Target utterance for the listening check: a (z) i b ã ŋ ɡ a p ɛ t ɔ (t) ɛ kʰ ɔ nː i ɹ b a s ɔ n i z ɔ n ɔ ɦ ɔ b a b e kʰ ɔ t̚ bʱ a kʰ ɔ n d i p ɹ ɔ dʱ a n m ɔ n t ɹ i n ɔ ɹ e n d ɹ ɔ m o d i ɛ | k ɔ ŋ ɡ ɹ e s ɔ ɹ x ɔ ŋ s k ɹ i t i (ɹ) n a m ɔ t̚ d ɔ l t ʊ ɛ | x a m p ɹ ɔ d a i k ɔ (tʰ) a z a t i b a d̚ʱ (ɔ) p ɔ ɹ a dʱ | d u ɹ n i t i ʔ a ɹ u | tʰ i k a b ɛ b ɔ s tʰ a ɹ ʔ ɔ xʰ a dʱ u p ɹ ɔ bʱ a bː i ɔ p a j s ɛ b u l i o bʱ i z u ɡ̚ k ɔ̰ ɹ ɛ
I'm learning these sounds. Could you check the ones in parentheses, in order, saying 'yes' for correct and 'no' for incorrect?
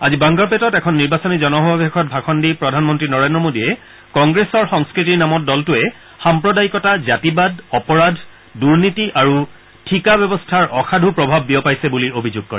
yes, yes, yes, no, yes

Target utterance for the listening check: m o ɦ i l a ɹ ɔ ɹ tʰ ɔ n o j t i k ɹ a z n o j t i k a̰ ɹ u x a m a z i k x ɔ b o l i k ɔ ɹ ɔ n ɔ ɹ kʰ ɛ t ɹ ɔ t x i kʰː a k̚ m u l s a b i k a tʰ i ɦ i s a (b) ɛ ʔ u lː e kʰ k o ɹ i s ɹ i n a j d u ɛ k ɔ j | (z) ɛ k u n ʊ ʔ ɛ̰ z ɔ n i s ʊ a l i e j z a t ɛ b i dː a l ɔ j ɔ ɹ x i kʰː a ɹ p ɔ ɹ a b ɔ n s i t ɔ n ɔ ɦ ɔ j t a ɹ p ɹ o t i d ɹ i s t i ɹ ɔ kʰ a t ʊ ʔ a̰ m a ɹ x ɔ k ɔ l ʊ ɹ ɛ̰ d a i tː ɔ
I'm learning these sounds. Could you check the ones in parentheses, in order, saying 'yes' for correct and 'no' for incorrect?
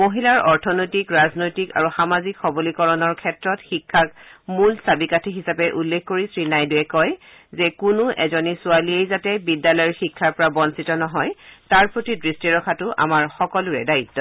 no, yes

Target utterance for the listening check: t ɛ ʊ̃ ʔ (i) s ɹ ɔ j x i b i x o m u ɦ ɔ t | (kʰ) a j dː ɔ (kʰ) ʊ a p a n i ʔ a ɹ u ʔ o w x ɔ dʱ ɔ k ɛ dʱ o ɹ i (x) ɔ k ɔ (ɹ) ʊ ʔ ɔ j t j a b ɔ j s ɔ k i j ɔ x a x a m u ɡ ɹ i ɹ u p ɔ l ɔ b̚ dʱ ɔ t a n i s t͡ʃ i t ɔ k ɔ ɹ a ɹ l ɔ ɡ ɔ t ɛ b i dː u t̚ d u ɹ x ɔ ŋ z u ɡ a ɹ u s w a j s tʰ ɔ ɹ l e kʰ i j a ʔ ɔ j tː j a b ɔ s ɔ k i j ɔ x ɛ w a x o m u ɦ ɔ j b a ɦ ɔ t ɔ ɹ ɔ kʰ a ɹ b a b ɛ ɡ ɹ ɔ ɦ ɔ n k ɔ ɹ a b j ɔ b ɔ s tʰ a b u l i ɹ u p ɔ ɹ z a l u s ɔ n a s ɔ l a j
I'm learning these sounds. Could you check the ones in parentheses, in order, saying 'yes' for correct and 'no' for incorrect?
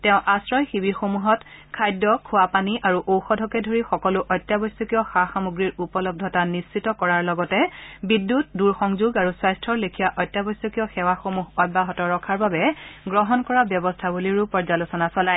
no, yes, yes, yes, no

